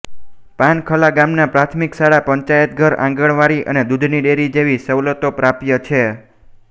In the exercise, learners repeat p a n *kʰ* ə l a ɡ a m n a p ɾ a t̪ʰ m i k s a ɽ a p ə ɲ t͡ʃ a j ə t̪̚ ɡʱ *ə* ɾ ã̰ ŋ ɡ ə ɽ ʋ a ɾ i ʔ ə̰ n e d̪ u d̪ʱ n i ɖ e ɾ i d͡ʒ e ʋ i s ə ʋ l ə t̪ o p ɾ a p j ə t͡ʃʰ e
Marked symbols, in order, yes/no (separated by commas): yes, yes